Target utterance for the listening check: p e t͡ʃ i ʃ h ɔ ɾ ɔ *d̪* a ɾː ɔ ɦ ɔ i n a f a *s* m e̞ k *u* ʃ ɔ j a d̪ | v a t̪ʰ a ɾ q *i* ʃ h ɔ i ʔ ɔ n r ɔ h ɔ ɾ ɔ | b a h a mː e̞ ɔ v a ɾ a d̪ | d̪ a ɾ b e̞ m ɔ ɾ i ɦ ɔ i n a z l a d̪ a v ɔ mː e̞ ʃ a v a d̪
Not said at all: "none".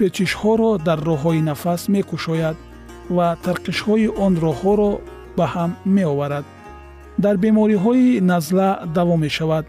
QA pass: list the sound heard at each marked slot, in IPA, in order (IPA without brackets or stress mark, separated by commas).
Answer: d̪, s, u, i